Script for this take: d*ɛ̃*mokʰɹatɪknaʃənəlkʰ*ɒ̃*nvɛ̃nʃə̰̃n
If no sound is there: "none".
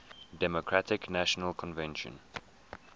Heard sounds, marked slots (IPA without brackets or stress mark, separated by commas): ɛ, ɔ̃